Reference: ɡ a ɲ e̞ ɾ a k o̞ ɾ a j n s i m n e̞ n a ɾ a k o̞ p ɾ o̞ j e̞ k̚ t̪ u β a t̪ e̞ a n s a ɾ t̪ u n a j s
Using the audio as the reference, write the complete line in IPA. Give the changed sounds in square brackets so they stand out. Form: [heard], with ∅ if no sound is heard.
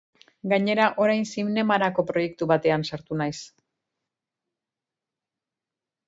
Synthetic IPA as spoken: ɡ a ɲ e̞ ɾ a [ʔ] o̞ ɾ a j n s i m n e̞ [m] a ɾ a k o̞ p ɾ o̞ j e̞ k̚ t̪ u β a t̪ e̞ a n s a ɾ t̪ u n a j s